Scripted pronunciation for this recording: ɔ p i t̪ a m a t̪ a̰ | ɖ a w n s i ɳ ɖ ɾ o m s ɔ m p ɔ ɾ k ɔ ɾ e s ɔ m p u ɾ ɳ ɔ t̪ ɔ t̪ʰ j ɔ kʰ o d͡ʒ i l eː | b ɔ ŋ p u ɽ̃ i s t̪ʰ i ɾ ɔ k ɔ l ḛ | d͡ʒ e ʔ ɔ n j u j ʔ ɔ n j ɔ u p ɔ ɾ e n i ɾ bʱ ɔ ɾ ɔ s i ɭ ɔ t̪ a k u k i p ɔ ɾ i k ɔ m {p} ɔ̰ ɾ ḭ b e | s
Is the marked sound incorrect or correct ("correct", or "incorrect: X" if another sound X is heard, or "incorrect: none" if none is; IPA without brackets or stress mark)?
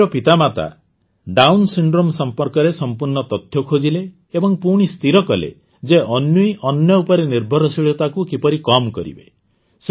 incorrect: k